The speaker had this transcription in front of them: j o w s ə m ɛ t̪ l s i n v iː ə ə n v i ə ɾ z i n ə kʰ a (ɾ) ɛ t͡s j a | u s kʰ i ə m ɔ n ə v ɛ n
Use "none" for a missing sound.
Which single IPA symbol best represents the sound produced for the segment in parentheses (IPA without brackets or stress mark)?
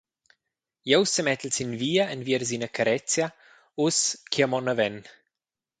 ɾ